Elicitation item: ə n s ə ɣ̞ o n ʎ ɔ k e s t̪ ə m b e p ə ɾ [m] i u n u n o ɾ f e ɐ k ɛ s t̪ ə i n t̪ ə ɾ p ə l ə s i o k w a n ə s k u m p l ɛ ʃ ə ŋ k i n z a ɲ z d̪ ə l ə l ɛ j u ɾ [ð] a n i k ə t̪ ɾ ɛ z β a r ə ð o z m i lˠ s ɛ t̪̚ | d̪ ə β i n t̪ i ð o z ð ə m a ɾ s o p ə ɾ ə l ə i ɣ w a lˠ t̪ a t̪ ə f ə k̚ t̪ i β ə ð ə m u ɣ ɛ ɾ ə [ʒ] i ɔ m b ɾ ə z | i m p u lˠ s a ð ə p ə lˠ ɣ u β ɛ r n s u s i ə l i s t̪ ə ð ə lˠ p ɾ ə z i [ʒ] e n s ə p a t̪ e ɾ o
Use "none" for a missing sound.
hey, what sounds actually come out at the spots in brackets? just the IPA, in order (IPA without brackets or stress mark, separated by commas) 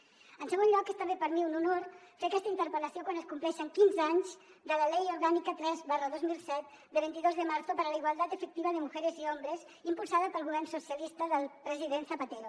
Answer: m, ɣ, z, ð